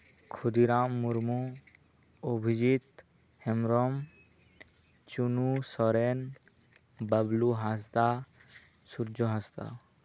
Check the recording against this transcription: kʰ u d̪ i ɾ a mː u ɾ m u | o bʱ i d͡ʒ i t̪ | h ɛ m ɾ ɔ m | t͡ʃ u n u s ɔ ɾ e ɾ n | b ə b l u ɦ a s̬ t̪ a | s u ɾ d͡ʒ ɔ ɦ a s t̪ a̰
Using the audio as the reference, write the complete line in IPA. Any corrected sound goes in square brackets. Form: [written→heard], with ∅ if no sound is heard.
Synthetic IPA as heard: kʰ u d̪ i ɾ a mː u ɾ m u | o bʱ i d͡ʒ i t̪ | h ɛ m ɾ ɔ m | t͡ʃ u n u s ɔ ɾ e [ɾ→∅] n | b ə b l u ɦ a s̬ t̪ a | s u ɾ d͡ʒ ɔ ɦ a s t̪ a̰